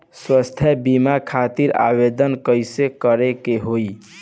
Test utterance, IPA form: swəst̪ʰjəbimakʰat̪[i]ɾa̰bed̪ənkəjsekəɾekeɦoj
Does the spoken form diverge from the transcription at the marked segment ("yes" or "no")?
no